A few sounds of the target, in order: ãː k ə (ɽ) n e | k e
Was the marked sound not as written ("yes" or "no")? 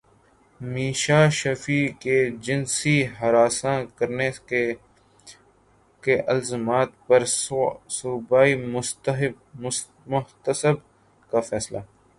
yes